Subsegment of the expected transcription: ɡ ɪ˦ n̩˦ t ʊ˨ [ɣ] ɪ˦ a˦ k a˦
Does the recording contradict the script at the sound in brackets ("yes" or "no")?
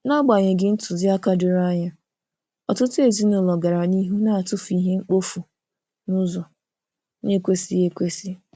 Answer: yes